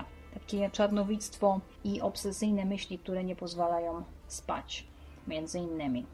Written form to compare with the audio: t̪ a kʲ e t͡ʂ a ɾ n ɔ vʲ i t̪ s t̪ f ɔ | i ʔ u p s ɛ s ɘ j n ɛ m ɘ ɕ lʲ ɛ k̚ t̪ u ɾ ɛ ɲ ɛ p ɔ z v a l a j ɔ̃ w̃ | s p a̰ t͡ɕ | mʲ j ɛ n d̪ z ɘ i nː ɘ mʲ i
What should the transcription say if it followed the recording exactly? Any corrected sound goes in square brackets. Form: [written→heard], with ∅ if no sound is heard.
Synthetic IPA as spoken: t̪ a kʲ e t͡ʂ a ɾ n ɔ vʲ i t̪ s t̪ f ɔ | i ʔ [u→ɔ] p s ɛ s ɘ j n ɛ m ɘ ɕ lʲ [ɛ→i] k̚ t̪ u ɾ ɛ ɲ ɛ p ɔ z v a l a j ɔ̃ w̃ | s p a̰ t͡ɕ | mʲ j ɛ n d̪ z ɘ i nː ɘ mʲ i